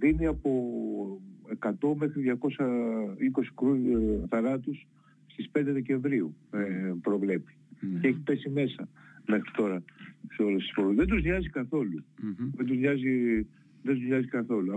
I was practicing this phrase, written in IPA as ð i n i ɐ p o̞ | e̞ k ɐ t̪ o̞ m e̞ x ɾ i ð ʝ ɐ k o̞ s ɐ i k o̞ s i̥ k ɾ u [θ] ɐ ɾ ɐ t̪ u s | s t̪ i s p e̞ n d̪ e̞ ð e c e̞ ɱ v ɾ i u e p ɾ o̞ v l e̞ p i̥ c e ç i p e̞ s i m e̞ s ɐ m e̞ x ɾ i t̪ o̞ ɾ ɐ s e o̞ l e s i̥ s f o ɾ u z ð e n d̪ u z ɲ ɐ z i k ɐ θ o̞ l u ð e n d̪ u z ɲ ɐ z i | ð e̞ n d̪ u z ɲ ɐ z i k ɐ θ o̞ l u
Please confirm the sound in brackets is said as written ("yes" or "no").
yes